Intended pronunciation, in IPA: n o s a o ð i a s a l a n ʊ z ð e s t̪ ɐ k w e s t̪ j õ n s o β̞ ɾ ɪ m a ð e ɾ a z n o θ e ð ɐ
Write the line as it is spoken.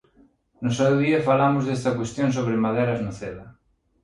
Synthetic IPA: n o s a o ð i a f a l a m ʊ z ð e s t̪ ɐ k w e s t̪ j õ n s o β̞ ɾ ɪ m a ð e ɾ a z n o θ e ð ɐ